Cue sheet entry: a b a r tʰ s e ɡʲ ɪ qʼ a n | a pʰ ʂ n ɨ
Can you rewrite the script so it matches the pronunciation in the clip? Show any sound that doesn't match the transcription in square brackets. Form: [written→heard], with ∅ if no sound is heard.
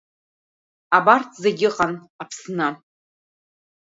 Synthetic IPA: a b a r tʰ [s→z] e ɡʲ ɪ qʼ a n | a pʰ [ʂ→s] n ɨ

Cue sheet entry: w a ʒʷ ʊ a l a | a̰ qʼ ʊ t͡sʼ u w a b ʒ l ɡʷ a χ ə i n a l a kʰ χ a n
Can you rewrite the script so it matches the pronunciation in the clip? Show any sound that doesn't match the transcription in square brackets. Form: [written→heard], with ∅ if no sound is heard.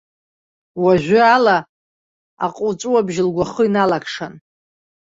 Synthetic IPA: w a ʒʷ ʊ a l a | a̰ qʼ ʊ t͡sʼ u w a b ʒ l ɡʷ a χ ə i n a l a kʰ [χ→ʂ] a n

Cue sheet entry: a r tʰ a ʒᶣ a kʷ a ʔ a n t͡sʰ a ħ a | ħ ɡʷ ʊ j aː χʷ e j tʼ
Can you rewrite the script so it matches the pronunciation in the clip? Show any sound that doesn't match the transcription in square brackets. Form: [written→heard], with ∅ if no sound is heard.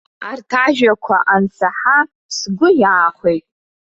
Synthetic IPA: a r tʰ a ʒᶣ a [kʷ→kʷʰ] a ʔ a n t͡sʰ a ħ a | [ħ→s] ɡʷ ʊ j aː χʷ e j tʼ

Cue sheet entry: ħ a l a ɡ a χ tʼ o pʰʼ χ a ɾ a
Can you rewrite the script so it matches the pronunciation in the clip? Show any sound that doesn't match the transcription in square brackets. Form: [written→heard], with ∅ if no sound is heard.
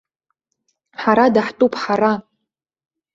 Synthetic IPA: ħ a [l→ɾ] a [ɡ→d] a [χ→ħ] tʼ [o→u] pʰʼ [χ→ħ] a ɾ a

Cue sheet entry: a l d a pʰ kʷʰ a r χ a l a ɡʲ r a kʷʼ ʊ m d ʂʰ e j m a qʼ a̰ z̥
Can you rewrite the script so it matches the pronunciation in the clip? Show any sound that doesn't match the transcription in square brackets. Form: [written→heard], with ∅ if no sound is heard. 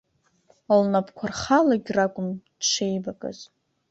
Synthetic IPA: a l [d→n] a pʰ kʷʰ a r χ a l a ɡʲ r a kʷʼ ʊ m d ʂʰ e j [m→b] a [qʼ→kʼ] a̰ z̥

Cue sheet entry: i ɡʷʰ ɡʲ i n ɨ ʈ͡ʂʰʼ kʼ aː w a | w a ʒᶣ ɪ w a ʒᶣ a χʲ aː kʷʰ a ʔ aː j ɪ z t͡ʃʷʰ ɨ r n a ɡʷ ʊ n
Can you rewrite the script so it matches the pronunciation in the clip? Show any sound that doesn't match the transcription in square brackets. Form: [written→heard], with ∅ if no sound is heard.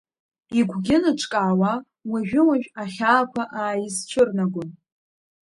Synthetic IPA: i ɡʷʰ ɡʲ [i→ɪ] n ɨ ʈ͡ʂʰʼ kʼ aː w a | w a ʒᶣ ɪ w a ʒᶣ a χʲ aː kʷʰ a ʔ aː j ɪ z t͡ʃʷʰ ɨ r n a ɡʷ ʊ n

